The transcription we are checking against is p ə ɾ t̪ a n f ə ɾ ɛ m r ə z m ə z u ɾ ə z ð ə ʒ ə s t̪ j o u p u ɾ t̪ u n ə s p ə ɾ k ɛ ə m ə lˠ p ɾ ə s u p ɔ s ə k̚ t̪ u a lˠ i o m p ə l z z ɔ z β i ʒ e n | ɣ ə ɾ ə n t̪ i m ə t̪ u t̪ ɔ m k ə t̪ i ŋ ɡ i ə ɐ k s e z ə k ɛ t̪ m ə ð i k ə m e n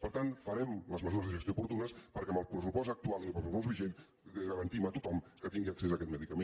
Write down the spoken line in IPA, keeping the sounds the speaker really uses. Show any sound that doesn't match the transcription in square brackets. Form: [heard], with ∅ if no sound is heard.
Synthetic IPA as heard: p ə ɾ t̪ a n f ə ɾ ɛ m [l] ə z m ə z u ɾ ə z ð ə ʒ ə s t̪ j o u p u ɾ t̪ u n ə s p ə ɾ k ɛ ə m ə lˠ p ɾ ə s u p ɔ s ə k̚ t̪ u a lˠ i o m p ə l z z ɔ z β i ʒ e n | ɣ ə ɾ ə n t̪ i m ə t̪ u t̪ ɔ m k ə t̪ i ŋ ɡ i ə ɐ k s e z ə k ɛ t̪ m ə ð i k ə m e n